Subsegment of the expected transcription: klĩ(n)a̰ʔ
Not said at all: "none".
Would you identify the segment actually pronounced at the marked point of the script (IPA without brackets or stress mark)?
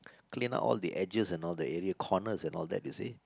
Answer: n